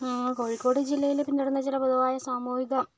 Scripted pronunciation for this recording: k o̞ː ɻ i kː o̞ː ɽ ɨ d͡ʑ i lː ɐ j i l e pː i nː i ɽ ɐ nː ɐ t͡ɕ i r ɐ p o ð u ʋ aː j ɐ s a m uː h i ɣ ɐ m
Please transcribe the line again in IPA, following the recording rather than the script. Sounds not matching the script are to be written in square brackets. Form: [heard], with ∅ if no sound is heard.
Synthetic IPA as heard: k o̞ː ɻ i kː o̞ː ɽ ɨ d͡ʑ i lː ɐ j i l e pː i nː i ɽ ɐ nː ɐ t͡ɕ i [l] ɐ p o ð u ʋ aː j ɐ s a m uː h i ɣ ɐ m